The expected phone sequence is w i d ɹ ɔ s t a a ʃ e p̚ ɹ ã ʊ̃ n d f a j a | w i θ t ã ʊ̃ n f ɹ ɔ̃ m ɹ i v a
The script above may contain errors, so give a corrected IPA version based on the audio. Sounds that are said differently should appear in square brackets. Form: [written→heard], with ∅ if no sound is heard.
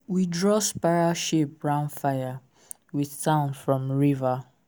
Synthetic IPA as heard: w i d ɹ ɔ s [t→p] a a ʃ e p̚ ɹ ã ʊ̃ n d f a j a | w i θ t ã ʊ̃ n f ɹ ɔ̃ m ɹ i v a

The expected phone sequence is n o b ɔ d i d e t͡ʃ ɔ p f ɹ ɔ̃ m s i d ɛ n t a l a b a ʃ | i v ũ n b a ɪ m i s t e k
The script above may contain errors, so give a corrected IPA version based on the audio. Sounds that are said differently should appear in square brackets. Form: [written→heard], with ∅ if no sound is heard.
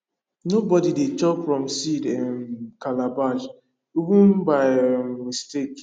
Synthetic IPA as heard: n o b ɔ d i d e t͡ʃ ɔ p f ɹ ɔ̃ m s i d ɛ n [t→k] a l a b a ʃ | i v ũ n b a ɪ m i s t e k

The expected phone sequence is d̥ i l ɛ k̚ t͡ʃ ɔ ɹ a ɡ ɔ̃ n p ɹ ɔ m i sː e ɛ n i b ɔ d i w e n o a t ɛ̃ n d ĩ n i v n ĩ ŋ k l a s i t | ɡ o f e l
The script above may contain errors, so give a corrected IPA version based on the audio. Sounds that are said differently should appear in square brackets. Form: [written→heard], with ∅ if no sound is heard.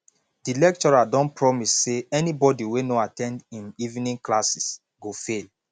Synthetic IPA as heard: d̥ i l ɛ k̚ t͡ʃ ɔ ɹ a [ɡ→d] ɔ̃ n p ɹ ɔ m i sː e ɛ n i b ɔ d i w e n o a t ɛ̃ n d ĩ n i v n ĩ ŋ k l a s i [t→s] | ɡ o f e l

